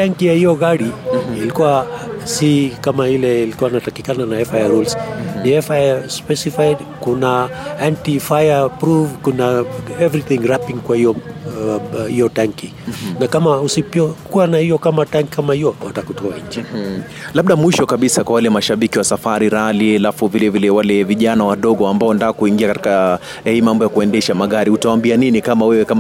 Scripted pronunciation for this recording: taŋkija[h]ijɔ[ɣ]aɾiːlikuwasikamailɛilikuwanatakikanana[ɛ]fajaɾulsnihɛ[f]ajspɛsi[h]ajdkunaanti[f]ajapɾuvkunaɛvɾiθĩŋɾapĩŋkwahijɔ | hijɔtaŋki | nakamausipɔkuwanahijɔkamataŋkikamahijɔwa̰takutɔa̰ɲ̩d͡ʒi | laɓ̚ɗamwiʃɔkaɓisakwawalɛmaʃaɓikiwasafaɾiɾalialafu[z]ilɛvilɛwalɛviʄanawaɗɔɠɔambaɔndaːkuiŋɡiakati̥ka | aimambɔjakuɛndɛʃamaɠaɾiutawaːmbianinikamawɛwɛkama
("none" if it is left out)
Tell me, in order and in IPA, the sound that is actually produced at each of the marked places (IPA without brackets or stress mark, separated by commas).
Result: h, ɣ, ɛ, f, f, f, v